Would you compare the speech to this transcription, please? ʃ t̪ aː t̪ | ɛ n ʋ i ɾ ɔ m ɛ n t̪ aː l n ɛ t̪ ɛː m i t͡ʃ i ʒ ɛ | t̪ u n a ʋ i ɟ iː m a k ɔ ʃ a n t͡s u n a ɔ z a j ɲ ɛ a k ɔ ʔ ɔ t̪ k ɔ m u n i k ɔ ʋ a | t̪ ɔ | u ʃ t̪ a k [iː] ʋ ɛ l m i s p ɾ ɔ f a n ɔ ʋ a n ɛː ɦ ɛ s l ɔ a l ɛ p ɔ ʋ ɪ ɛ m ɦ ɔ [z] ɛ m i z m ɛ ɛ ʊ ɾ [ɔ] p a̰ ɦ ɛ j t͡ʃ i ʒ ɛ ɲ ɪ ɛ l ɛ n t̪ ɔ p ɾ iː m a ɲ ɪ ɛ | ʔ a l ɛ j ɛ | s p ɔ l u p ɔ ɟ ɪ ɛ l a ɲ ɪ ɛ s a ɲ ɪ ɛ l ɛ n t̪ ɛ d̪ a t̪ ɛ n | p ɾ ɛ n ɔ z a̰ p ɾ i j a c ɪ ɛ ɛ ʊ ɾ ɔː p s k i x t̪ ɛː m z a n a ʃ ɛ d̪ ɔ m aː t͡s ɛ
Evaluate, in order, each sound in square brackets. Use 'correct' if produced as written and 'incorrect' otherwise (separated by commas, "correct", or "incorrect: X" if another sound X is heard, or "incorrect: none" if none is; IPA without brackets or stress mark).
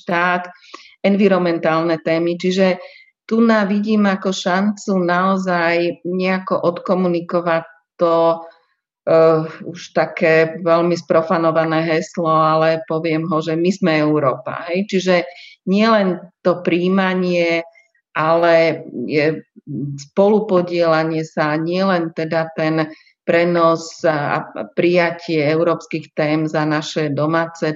incorrect: ɛː, incorrect: ʒ, incorrect: ɔː